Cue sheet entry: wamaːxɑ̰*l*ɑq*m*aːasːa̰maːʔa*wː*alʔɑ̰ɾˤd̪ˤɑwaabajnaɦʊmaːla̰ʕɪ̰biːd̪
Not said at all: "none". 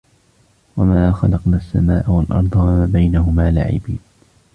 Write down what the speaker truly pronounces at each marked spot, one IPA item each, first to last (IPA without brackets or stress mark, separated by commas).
l, n, w